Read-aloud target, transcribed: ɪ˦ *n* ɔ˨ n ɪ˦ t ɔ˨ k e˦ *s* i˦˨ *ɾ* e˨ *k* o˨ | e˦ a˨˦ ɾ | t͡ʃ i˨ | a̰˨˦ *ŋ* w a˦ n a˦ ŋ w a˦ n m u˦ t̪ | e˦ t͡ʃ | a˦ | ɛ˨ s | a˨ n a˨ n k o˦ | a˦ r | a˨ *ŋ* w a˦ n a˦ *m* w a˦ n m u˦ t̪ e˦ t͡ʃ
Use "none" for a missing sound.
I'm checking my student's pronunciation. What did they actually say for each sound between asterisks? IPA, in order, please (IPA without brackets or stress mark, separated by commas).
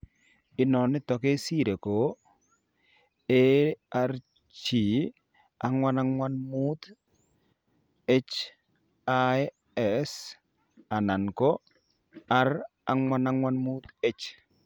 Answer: n, s, ɾ, k, ŋ, ŋ, ŋ